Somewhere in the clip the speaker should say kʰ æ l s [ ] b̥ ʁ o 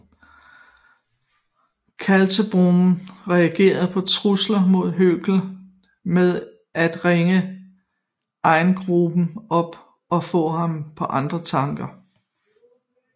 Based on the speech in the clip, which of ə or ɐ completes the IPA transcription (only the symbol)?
ə